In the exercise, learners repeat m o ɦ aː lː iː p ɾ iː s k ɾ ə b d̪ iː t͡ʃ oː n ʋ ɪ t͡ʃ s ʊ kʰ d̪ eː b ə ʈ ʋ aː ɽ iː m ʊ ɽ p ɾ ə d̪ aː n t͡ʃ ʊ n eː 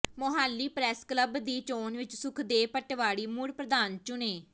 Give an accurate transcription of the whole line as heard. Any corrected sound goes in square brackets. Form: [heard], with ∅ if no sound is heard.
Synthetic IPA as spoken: m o ɦ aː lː iː p ɾ [ɛː] s k [l] ə b d̪ iː t͡ʃ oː n ʋ ɪ t͡ʃ s ʊ kʰ d̪ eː [p] ə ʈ ʋ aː ɽ iː m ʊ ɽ p ɾ ə d̪ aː n t͡ʃ ʊ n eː